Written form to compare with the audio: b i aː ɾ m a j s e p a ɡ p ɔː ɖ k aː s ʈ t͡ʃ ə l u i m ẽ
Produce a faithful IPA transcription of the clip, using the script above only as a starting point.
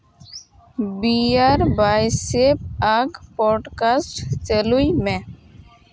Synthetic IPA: b i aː ɾ b a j s e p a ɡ p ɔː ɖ k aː s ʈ t͡ʃ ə l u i m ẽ